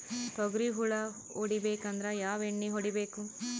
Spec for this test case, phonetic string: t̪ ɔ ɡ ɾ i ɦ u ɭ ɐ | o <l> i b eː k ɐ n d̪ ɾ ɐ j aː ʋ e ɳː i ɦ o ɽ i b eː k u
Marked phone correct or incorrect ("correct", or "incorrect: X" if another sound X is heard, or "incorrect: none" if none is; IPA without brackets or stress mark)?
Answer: incorrect: ɽ